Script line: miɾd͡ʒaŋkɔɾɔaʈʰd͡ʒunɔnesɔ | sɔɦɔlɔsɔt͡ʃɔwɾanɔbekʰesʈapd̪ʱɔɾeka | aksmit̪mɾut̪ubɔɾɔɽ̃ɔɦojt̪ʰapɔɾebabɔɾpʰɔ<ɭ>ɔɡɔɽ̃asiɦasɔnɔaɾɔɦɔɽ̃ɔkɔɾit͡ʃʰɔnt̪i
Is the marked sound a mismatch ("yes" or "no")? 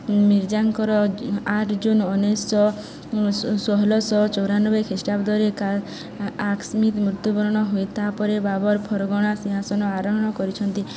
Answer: yes